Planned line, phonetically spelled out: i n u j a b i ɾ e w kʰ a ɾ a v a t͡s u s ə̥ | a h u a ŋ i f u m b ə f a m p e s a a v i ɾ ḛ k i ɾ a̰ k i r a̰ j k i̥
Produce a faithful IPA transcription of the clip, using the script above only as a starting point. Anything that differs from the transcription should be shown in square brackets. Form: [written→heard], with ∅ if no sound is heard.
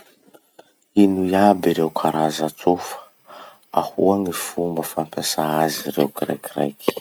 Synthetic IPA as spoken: i n u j a b i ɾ e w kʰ a ɾ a [v→z] a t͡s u [s→f] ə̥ | a h u a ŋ i f u m b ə f a m p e s a a [v→z] i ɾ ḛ k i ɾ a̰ k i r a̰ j k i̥